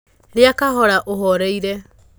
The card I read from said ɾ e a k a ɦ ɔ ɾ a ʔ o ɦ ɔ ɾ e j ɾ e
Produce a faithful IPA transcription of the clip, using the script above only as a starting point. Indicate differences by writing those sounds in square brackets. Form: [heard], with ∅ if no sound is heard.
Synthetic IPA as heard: ɾ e a k a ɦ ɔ ɾ a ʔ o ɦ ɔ ɾ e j ɾ e